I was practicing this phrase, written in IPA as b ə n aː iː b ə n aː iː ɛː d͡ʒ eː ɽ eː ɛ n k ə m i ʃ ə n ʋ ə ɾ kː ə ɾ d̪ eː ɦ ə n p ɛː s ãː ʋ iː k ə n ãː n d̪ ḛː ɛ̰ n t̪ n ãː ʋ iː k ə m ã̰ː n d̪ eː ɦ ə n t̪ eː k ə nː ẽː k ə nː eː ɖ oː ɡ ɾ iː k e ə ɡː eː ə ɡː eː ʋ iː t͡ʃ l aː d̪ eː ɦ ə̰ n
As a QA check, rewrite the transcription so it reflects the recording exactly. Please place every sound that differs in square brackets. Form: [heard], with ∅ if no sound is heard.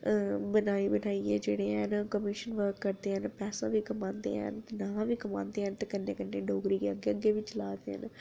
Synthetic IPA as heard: b ə n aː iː b ə n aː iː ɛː d͡ʒ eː ɽ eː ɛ n k ə m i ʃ ə n ʋ ə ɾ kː ə ɾ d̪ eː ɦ ə n p ɛː s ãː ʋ iː k ə [m] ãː n d̪ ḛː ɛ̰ n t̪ n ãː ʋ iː k ə m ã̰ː n d̪ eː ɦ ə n t̪ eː k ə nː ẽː k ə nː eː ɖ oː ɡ ɾ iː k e ə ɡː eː ə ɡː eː ʋ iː t͡ʃ l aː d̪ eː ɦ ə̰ n